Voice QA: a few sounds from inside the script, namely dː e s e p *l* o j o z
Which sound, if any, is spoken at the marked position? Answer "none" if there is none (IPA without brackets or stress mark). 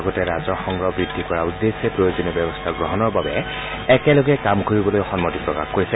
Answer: ɹ